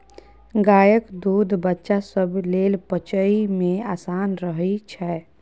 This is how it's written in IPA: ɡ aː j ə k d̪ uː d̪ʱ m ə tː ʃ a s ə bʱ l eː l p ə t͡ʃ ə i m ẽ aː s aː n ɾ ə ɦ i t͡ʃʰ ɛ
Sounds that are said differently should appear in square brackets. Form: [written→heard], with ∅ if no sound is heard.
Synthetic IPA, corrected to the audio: ɡ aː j ə k d̪ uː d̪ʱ [m→b] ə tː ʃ a s ə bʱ l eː l p ə t͡ʃ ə i m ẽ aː s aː n ɾ ə ɦ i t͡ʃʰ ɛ